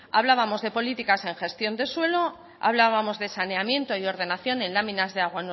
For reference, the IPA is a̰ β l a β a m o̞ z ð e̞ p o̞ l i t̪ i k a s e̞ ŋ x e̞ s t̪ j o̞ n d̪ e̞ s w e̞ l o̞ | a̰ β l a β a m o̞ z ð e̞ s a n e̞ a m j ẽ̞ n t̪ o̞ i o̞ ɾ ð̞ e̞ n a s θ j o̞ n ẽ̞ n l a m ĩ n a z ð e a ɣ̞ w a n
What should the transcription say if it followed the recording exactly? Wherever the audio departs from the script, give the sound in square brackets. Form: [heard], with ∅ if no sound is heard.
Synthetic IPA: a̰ β l a β a m o̞ z ð e̞ p o̞ l i t̪ i k a s e̞ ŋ x e̞ s t̪ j o̞ n d̪ e̞ s w e̞ l o̞ | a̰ β l a β a m o̞ z ð e̞ s a n e̞ a m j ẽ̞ n t̪ o̞ i o̞ ɾ ð̞ e̞ n a [∅] θ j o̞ n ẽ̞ n l a m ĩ n a z ð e a ɣ̞ w a n